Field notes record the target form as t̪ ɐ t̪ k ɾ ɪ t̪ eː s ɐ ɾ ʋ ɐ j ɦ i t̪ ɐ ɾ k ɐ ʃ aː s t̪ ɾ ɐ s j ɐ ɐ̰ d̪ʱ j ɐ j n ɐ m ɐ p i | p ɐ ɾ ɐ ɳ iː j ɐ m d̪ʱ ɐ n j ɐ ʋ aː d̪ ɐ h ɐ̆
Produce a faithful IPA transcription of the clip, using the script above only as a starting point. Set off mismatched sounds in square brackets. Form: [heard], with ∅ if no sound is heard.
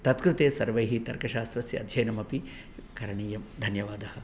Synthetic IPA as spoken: t̪ ɐ t̪ k ɾ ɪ t̪ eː s ɐ ɾ ʋ ɐ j ɦ i t̪ ɐ ɾ k ɐ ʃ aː s t̪ ɾ ɐ s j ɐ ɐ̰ d̪ʱ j ɐ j n ɐ m ɐ p i | [k] ɐ ɾ ɐ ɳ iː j ɐ m d̪ʱ ɐ n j ɐ ʋ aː d̪ ɐ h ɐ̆